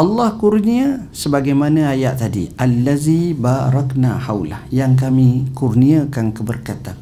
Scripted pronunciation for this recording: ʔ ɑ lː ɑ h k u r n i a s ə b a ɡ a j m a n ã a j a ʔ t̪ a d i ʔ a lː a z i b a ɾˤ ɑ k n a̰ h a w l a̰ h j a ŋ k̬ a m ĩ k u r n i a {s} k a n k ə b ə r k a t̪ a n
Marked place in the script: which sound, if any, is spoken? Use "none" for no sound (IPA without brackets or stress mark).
none